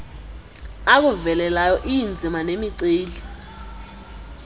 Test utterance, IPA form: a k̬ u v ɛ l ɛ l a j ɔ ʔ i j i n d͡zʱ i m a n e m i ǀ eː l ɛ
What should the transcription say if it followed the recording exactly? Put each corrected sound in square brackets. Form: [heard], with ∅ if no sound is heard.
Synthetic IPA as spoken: a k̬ u v ɛ l ɛ l a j ɔ ʔ i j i n d͡zʱ i m a n e m i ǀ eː l [i]